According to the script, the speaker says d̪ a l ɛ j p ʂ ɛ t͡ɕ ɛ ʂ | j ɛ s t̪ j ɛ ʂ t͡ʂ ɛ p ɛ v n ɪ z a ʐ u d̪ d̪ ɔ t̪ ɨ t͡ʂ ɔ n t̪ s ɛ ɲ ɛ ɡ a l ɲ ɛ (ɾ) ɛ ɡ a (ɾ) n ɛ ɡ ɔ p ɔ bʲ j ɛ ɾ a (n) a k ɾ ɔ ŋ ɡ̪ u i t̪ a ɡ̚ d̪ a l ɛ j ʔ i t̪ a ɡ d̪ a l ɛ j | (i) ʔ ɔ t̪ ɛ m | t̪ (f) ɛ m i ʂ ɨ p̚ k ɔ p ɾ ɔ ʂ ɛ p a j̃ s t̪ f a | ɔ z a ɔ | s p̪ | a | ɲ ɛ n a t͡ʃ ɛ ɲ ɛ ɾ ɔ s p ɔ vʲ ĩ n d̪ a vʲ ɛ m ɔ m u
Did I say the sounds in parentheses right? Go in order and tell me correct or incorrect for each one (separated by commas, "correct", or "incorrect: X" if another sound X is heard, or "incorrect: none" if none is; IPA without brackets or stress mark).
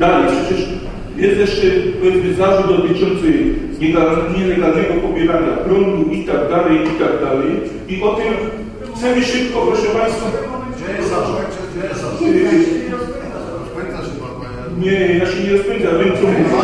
incorrect: l, incorrect: l, incorrect: ɲ, correct, incorrect: s